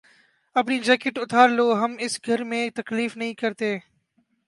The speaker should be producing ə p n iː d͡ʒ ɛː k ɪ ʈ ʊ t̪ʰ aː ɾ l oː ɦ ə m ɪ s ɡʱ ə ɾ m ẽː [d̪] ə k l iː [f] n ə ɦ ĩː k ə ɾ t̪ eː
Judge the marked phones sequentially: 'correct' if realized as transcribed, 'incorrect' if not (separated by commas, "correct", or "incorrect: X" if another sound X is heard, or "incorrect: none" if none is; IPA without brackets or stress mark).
incorrect: t̪, correct